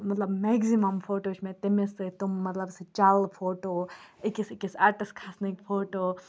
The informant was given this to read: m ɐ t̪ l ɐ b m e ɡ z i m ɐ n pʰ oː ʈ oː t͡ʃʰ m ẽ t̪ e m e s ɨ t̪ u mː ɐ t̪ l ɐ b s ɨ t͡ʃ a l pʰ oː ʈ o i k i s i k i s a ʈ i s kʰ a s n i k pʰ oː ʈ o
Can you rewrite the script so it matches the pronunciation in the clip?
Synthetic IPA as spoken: m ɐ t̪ l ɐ b m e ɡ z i m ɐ m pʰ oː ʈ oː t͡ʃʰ m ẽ t̪ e m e s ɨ t̪ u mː ɐ t̪ l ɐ b s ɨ t͡ʃ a l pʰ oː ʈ o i k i s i k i s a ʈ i s kʰ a s n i k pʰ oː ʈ o